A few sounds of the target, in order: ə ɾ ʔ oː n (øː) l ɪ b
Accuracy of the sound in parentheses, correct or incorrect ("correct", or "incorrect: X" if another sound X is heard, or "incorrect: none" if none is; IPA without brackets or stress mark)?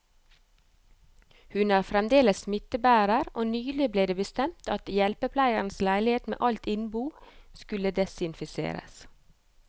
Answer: incorrect: yː